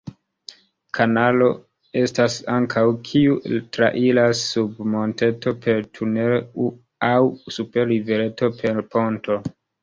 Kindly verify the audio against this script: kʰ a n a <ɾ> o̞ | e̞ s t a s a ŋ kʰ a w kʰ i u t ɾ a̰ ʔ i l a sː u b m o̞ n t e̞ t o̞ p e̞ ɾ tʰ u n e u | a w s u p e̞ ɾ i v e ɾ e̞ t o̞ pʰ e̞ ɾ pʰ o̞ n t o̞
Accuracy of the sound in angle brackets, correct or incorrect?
incorrect: l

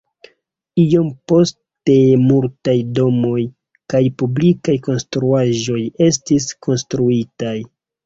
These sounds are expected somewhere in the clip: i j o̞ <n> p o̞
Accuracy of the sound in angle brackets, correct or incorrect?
incorrect: m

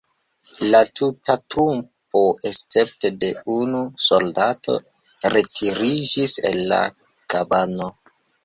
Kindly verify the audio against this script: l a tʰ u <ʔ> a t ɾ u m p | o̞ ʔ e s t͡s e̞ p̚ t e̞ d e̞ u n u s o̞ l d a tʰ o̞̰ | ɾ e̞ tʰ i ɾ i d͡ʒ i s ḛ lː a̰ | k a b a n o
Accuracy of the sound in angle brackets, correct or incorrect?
incorrect: t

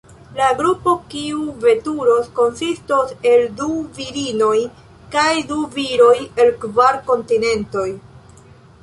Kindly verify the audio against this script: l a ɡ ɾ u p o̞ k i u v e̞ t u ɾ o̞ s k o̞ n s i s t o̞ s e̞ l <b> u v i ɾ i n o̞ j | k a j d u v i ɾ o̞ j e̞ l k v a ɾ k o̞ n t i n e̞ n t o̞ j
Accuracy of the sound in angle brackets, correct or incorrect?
incorrect: d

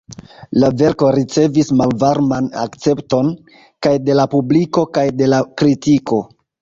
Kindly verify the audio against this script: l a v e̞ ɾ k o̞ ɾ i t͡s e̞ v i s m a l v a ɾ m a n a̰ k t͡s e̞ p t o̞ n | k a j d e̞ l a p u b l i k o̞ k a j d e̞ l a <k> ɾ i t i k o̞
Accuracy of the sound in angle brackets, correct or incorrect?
correct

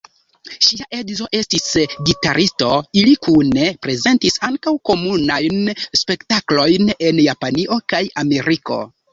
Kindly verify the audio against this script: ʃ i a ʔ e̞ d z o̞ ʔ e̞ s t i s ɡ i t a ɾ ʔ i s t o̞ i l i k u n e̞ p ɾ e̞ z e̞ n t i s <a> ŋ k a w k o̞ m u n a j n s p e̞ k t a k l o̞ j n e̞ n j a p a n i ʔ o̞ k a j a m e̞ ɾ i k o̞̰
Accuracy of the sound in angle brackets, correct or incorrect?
correct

